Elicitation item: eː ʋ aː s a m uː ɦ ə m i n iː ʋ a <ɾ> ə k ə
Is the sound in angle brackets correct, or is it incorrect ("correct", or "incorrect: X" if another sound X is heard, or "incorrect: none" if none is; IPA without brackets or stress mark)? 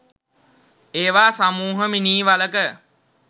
incorrect: l